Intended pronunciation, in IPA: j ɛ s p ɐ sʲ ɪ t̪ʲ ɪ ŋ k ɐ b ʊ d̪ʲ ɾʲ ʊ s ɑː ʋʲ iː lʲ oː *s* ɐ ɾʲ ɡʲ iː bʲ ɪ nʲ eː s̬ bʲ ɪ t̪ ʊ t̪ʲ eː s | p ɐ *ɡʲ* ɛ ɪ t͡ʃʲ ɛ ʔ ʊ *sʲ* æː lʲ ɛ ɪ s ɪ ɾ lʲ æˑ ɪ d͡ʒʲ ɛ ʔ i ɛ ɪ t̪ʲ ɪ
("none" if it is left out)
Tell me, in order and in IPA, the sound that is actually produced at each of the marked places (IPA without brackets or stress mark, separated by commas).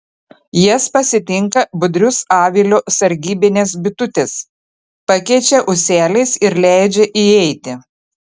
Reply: s, kʲ, sʲ